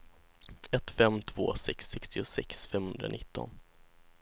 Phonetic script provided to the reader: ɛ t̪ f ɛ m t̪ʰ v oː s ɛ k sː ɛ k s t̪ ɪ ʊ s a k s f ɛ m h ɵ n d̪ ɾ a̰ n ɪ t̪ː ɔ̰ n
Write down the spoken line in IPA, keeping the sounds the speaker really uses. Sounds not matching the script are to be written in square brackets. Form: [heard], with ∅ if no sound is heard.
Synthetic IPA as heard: ɛ t̪ f ɛ m t̪ʰ v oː s ɛ k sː ɛ k s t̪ ɪ ʊ s [ɛ] k s f ɛ m h ɵ n d̪ ɾ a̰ n ɪ t̪ː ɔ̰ n